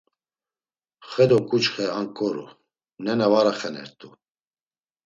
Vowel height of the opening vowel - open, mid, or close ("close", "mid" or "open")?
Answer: mid